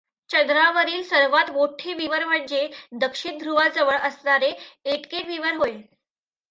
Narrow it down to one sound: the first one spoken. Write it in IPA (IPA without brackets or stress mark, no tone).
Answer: t͡ɕ